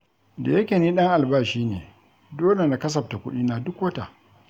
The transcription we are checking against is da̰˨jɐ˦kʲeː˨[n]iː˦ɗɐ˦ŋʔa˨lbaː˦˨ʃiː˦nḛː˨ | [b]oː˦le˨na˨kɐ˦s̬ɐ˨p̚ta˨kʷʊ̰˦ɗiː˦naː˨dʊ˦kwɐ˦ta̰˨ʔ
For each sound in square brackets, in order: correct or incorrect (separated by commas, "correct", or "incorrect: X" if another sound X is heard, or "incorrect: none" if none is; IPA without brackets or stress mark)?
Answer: correct, incorrect: d